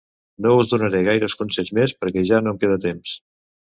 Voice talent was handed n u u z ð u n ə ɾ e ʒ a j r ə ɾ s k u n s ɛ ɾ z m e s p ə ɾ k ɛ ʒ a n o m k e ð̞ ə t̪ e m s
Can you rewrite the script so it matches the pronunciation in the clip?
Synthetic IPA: n o u z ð u n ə ɾ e ɣ a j ɾ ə s k u n s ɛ ʎ z m e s p ə ɾ k ɛ ʒ a n o m k e ð̞ ə t̪ e m s